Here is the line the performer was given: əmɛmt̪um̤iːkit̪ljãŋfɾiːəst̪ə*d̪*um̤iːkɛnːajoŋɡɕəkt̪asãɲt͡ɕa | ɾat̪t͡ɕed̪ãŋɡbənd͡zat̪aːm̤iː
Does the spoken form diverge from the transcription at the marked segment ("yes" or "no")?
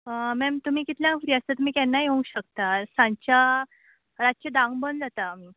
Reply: yes